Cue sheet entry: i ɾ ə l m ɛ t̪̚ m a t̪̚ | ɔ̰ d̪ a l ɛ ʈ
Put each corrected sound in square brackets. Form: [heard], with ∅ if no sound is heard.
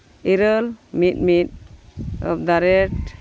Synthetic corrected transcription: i ɾ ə l m [i] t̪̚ m [i] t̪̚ | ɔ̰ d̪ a [ɾ] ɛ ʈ